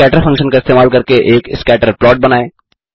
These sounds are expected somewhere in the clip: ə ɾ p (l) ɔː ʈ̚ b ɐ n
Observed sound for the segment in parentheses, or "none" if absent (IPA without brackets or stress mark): l